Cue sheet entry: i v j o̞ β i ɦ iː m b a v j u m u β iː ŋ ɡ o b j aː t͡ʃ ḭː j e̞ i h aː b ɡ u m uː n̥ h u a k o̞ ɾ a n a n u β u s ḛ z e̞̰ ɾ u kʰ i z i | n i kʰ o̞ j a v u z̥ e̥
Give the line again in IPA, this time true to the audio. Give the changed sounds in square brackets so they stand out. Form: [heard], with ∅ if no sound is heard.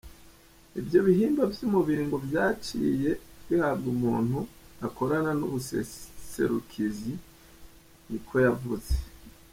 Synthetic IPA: i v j o̞ β i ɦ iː m b a v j u m u β iː ŋ ɡ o [v] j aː t͡ʃ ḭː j e̞ i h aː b ɡ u m uː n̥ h u a k o̞ ɾ a n a n u β u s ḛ [s] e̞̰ ɾ u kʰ i z i | n i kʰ o̞ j a v u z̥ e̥